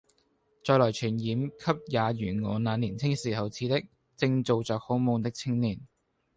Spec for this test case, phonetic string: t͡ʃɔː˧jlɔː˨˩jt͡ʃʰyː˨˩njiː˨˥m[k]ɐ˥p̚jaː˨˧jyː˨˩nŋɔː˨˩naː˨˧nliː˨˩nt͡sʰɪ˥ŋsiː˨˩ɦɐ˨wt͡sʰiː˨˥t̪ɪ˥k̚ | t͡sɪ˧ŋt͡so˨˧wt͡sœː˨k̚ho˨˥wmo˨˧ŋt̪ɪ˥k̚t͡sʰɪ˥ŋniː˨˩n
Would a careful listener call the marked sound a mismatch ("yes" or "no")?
yes